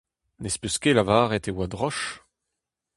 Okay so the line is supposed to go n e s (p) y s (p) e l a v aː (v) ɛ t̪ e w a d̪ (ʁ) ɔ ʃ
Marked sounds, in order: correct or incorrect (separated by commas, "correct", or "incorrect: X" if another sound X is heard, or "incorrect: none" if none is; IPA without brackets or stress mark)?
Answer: correct, incorrect: k, incorrect: ʁ, correct